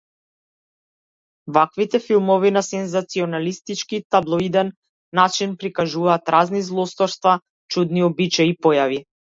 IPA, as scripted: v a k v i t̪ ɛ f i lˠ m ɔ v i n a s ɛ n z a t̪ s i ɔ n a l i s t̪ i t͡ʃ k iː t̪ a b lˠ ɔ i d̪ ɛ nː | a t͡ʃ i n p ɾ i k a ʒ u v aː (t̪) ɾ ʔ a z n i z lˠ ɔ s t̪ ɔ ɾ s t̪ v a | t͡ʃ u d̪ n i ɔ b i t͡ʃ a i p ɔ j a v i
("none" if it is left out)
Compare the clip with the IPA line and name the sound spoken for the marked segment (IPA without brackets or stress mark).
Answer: t̪